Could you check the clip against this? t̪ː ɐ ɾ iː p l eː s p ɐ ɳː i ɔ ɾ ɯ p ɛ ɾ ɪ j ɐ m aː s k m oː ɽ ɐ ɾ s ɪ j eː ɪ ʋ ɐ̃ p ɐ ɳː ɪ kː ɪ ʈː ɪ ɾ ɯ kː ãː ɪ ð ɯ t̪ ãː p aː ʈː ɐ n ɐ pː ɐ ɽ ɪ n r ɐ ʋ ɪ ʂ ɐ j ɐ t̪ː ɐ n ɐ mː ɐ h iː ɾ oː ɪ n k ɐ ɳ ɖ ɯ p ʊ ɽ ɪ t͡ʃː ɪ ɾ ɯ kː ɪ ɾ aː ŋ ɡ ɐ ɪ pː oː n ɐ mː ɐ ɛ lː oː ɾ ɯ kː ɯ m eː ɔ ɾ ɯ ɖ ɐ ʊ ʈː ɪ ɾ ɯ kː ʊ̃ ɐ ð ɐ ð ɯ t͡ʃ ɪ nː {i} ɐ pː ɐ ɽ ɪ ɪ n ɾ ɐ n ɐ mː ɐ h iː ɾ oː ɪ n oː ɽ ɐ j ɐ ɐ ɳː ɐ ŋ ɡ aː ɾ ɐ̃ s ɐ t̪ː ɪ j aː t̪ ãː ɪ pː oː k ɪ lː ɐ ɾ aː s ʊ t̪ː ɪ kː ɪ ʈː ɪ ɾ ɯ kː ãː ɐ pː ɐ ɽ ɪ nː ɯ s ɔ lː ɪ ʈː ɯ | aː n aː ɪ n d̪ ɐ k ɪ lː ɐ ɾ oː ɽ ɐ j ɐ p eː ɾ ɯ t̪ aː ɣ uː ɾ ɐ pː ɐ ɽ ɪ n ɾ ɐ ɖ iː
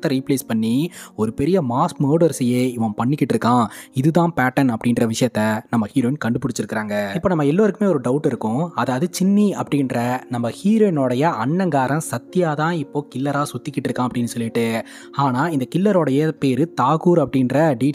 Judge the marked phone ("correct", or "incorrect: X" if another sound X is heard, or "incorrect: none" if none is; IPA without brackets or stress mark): correct